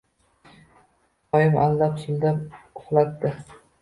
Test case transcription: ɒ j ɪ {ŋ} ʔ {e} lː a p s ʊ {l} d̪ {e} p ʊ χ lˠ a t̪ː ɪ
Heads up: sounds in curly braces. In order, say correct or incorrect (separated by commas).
incorrect, incorrect, correct, incorrect